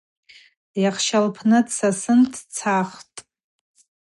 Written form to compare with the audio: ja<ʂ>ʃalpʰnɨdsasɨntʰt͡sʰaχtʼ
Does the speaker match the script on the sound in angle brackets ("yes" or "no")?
no